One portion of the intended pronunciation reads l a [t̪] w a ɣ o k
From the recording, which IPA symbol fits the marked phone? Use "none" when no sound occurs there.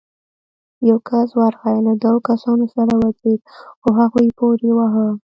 d̪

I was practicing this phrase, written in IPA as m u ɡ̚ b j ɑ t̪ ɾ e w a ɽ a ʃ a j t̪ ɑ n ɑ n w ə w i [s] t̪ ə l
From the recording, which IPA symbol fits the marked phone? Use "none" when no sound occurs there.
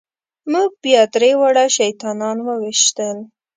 ʃ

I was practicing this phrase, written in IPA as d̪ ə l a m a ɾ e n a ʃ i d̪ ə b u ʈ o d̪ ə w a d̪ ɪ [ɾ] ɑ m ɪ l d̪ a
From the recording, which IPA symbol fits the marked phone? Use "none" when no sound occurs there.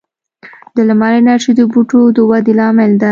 l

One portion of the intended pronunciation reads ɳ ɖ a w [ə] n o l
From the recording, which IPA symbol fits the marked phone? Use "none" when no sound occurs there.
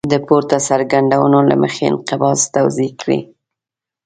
ə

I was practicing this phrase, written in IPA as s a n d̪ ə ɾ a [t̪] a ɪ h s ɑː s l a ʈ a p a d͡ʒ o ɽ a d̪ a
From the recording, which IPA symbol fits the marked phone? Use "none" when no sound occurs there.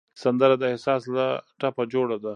d̪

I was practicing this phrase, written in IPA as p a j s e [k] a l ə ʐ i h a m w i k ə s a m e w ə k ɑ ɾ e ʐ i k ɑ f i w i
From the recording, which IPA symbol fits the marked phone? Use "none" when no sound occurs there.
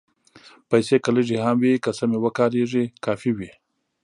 k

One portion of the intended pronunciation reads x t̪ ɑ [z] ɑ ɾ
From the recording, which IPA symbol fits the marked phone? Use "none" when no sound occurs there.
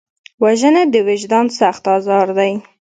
z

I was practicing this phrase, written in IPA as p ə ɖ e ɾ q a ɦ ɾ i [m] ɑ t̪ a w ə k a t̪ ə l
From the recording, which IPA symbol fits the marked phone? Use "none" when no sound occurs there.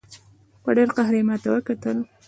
m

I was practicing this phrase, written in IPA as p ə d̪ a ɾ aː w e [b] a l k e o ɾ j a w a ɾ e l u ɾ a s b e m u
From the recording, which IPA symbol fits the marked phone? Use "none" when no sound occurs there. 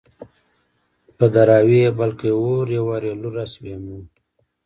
b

